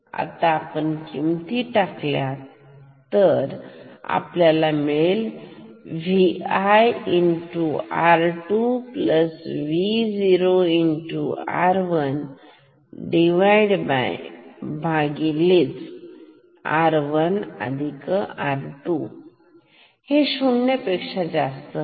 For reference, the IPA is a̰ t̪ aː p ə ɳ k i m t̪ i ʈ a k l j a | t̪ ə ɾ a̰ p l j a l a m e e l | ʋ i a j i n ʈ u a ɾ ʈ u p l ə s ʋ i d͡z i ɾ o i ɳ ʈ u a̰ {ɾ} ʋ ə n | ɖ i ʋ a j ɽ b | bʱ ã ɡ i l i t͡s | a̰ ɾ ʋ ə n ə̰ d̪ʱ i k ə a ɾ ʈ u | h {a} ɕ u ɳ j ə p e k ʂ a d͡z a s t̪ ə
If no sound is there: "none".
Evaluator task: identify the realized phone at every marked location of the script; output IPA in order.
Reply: ɾ, e

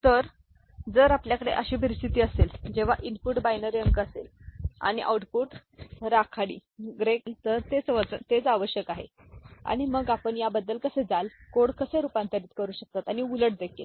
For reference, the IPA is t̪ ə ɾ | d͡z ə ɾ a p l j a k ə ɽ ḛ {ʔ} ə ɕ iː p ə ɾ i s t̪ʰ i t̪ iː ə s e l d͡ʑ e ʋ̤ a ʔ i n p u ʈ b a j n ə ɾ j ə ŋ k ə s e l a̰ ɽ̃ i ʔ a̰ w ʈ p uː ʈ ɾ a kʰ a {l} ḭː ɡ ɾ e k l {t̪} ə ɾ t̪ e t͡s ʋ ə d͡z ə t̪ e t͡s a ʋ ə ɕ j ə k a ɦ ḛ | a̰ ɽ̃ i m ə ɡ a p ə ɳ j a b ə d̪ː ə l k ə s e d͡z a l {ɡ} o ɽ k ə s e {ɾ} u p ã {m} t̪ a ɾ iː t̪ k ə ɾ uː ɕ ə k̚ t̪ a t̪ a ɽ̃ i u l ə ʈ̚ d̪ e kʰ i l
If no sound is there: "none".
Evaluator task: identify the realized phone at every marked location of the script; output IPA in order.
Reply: ʔ, ɽ, t̪, k, ɾ, n

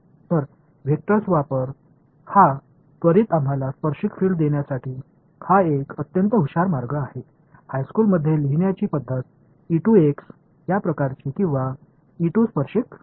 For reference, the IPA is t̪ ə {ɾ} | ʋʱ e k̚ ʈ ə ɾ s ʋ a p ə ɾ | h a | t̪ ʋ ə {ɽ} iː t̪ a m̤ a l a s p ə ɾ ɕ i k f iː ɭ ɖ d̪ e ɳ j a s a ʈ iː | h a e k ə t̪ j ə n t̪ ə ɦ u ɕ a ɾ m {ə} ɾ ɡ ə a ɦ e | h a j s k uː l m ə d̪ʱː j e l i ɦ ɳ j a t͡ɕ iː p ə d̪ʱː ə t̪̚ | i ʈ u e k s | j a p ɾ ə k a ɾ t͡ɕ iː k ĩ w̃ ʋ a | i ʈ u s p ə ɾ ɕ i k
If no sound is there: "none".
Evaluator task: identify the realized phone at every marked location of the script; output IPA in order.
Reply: ɾ, ɾ, a

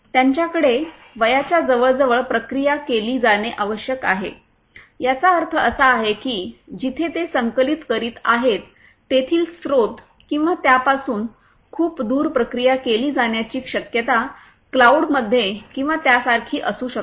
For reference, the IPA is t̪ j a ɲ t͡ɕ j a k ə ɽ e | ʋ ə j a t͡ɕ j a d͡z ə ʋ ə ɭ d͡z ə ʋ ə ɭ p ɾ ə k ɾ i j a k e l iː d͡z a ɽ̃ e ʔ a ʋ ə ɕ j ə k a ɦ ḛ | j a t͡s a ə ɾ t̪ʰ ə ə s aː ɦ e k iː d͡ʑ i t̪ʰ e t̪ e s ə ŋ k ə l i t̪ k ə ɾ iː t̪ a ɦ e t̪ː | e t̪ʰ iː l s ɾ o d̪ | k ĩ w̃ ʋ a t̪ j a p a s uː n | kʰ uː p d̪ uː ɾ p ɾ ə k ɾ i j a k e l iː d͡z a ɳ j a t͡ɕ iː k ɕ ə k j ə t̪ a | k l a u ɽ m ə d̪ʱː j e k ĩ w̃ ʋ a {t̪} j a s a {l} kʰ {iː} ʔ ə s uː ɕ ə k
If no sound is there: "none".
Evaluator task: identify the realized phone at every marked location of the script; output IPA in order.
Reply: t̪, ɾ, iː

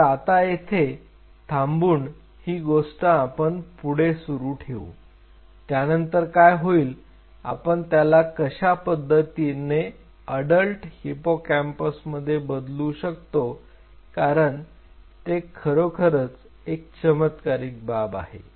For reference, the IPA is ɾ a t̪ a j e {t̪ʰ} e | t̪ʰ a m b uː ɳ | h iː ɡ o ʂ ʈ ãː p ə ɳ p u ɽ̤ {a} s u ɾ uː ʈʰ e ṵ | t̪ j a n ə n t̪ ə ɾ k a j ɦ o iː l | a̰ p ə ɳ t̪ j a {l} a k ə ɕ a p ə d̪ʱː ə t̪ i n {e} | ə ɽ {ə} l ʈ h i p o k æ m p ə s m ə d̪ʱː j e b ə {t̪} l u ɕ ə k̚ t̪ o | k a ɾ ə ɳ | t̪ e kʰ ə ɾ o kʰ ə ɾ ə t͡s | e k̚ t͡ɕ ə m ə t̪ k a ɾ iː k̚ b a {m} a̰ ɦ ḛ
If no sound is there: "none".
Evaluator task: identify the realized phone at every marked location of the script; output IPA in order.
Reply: t̪ʰ, e, l, e, ə, d̪, b

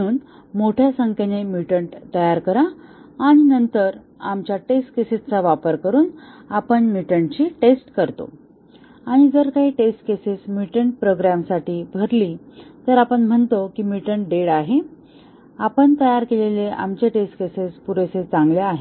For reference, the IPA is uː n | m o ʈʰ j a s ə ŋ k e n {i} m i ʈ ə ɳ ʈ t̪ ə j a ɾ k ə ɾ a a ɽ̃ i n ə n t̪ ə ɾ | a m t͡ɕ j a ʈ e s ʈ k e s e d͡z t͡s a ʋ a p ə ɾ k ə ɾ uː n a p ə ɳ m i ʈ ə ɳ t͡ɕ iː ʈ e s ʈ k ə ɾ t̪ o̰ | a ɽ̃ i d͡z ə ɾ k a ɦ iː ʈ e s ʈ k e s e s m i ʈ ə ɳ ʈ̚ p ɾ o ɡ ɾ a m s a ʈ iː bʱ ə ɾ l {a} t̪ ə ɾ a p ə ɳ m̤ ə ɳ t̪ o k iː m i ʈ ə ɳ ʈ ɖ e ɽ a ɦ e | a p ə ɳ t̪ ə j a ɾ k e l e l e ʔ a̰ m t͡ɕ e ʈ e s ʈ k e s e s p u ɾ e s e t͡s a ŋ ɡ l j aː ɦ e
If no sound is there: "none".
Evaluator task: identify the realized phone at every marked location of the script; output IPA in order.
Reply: e, i

